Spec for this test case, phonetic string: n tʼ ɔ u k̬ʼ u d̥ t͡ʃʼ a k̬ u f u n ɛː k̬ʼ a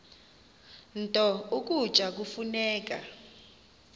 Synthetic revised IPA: n tʼ ɔ u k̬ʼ u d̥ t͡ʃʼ a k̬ u f u n ɛː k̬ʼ a